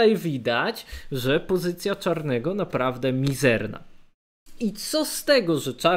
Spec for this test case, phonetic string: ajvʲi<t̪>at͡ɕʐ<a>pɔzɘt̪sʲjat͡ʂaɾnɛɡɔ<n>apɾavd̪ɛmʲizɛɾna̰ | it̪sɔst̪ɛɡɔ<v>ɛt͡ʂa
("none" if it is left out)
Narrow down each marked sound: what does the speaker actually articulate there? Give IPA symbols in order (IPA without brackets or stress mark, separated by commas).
d̪, ɛ, n, ʐ